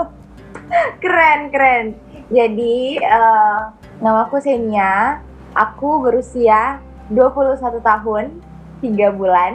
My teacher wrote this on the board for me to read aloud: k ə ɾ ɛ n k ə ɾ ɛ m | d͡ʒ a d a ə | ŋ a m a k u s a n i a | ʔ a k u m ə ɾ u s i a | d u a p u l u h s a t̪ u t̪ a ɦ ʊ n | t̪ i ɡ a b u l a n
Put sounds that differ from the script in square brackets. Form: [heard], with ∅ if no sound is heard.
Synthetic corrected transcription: k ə ɾ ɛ n k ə ɾ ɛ [n] | d͡ʒ a d [i] ə | ŋ a m a k u s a n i a | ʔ a k u [b] ə ɾ u s i a | d u a p u l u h s a t̪ u t̪ a ɦ ʊ n | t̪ i ɡ a b u l a n